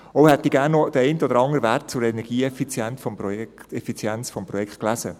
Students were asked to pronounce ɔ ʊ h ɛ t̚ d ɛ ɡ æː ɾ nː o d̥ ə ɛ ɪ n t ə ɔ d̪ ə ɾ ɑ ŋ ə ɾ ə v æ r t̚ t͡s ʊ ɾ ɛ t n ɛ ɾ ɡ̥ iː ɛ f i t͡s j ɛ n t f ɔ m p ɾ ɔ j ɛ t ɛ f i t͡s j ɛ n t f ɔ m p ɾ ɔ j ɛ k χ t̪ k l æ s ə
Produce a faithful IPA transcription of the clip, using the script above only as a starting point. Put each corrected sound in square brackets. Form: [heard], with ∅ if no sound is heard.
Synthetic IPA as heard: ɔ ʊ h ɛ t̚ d [i] ɡ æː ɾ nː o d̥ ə ɛ ɪ n t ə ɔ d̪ ə ɾ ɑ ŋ ə ɾ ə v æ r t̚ t͡s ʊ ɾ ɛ [∅] n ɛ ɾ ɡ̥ iː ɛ f i t͡s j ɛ n t f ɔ m p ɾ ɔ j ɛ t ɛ f i t͡s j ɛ n [t͡s] f ɔ m p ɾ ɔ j ɛ k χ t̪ k l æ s ə